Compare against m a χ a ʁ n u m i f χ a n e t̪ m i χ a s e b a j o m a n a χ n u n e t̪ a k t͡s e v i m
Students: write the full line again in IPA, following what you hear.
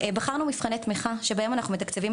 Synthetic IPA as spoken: b a χ a ʁ n u m i f χ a n e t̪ m i χ a ʃ e b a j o m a n a χ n u m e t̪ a k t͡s e v i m